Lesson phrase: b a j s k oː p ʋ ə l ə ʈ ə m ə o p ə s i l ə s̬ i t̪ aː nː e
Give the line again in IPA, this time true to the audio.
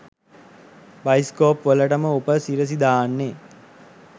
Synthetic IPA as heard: b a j s k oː p ʋ ə l ə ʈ ə m ə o p ə s i ɾ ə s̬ i d̪ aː nː e